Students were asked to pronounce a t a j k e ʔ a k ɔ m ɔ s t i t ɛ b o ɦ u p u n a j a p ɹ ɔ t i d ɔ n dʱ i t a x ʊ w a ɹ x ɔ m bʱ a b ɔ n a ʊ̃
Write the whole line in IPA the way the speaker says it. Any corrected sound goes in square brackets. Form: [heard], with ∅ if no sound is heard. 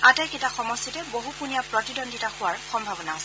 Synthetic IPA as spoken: a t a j k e [t] a [x] ɔ m ɔ s t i t ɛ b o ɦ u p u n [i] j a p ɹ ɔ t i d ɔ n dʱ i t a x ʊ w a ɹ x ɔ m bʱ a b ɔ n a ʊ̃